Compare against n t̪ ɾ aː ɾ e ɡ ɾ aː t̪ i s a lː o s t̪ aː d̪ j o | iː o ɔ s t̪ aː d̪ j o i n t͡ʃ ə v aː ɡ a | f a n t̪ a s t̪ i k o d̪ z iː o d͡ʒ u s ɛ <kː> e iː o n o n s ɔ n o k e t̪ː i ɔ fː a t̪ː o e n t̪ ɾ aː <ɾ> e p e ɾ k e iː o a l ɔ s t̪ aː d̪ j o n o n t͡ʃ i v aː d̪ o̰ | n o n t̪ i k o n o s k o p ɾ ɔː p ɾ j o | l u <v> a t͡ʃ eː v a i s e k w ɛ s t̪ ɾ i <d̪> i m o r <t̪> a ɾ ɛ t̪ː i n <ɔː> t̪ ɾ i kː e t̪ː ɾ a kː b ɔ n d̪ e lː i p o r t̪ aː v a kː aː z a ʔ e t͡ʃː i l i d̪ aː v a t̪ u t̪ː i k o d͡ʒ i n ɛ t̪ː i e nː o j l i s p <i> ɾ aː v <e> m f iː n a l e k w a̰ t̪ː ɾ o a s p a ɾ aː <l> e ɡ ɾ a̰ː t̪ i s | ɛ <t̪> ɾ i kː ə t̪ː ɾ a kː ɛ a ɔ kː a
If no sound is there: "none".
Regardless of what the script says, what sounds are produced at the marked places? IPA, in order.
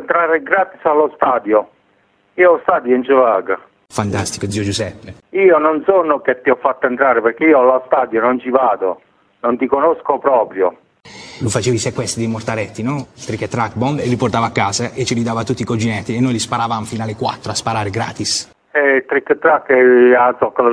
pː, ɾ, f, d̪, t̪, ɔ, a, a, ɾ, t̪

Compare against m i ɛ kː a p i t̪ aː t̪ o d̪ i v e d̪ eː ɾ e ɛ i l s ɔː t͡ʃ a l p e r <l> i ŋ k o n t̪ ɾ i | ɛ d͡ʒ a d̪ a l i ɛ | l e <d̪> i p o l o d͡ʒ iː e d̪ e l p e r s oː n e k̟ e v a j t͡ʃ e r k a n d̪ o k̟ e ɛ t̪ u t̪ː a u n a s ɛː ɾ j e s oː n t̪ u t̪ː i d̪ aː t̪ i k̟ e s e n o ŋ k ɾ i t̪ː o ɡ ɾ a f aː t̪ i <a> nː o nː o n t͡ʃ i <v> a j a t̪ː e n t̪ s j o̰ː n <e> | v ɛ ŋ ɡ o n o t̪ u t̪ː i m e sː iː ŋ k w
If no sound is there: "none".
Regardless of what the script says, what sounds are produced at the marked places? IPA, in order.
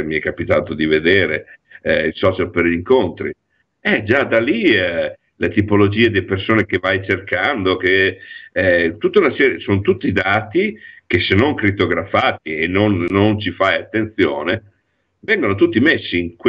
ʎ, t̪, e, f, e

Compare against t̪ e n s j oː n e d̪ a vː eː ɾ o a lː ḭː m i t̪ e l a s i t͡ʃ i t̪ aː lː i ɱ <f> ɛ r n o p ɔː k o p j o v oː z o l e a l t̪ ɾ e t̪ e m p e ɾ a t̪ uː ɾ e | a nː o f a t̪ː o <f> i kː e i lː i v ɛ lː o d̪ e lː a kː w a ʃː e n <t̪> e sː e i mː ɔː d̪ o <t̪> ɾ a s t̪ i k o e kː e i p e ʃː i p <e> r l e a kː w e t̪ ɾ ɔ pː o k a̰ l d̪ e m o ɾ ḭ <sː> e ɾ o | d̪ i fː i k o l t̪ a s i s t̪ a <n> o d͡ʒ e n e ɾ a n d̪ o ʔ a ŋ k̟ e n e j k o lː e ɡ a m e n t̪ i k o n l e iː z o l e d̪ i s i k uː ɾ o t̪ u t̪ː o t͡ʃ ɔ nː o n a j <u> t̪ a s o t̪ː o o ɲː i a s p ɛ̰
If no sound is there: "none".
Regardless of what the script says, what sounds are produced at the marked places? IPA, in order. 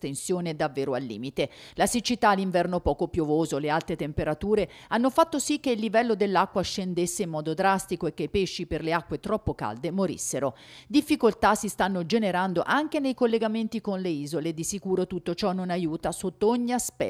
v, s, d̪, d̪, e, sː, nː, uː

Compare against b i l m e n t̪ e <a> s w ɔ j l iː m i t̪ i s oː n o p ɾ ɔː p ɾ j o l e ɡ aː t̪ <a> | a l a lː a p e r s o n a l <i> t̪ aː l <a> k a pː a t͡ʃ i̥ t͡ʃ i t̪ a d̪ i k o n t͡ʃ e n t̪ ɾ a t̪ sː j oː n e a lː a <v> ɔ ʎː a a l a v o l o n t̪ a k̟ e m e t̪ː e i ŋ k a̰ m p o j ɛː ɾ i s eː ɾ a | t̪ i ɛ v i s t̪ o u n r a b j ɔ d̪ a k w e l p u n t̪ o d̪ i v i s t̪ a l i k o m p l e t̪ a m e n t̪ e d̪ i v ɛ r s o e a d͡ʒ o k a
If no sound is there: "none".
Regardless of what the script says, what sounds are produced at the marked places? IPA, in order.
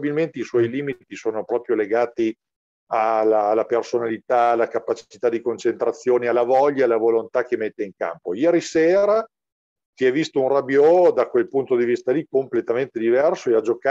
i, i, i, a, v

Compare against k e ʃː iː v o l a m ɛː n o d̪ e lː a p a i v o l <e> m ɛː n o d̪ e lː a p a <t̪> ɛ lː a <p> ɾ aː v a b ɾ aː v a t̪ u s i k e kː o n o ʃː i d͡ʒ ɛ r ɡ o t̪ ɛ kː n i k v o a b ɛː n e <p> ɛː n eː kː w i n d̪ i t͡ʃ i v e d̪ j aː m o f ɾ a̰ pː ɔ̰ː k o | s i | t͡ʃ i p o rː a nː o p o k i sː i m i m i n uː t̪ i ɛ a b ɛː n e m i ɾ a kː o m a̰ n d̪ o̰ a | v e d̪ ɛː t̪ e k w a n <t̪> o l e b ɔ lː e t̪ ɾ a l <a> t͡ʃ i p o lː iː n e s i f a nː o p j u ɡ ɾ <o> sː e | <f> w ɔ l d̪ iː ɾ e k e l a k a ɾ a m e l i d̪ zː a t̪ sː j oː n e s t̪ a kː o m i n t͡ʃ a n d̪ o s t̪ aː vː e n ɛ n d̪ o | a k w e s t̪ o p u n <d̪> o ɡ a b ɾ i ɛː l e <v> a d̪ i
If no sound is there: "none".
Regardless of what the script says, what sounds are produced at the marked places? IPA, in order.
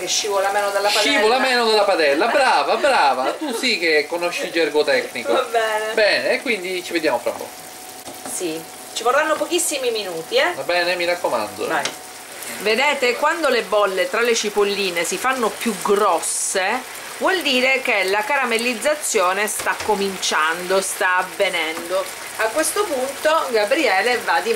a, d̪, b, b, d̪, e, ɔ, v, t̪, v

